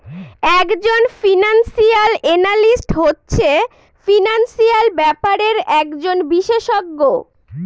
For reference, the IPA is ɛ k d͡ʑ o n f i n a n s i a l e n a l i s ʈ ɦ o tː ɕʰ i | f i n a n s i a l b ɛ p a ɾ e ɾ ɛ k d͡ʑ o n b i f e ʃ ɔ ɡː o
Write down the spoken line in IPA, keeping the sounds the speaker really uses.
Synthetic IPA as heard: ɛ k d͡ʑ o n f i n a n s i a l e n a l i s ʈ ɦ o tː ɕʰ e | f i n a n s i a l b ɛ p a ɾ e ɾ ɛ k d͡ʑ o n b i ʃ e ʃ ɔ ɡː o